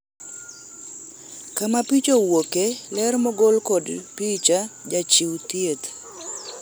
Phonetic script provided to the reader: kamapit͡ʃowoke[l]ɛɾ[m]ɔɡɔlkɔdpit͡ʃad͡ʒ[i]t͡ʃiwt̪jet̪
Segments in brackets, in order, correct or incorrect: correct, correct, incorrect

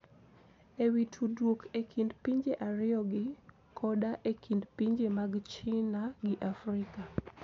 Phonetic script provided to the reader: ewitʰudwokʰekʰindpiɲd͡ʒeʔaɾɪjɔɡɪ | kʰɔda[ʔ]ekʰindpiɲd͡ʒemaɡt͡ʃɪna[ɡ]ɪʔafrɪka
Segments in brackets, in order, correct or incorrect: correct, correct

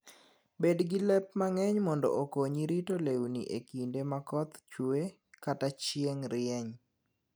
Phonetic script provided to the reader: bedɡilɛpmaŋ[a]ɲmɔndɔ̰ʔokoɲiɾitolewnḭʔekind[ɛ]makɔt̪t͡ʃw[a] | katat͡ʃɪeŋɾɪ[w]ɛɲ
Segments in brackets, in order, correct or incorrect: incorrect, incorrect, incorrect, incorrect

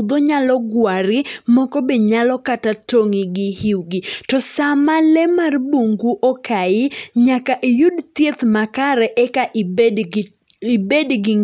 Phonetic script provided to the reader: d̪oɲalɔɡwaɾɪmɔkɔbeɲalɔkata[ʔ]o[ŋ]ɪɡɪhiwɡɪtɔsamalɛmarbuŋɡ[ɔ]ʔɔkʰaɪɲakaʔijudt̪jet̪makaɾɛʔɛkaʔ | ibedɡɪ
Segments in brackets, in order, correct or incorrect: incorrect, correct, incorrect

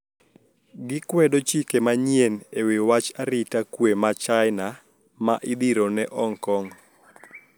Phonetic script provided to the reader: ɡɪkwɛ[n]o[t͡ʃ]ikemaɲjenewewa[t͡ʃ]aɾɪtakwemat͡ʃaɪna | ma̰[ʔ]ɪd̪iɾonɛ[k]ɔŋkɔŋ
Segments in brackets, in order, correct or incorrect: incorrect, correct, correct, correct, incorrect

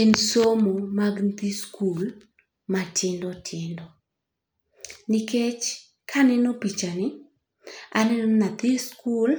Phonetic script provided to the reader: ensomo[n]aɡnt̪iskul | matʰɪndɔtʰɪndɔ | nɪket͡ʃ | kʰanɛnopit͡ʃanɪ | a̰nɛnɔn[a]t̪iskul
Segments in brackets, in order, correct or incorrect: incorrect, correct

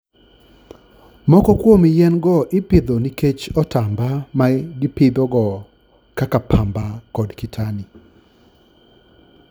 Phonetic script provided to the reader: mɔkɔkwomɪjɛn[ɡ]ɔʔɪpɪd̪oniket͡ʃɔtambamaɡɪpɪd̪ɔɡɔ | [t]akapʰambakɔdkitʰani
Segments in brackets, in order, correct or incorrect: correct, incorrect

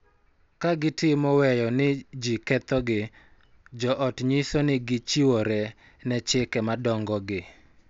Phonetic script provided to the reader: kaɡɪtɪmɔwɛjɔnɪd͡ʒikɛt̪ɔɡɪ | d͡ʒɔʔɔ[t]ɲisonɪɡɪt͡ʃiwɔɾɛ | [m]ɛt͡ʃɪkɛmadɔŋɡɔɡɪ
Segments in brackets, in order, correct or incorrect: correct, incorrect

